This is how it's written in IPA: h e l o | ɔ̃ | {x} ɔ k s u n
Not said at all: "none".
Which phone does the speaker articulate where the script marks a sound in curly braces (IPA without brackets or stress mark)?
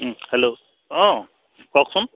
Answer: k